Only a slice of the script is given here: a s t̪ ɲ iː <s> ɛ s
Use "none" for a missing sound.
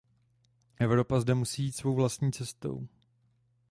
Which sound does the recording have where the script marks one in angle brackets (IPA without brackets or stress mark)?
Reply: t͡s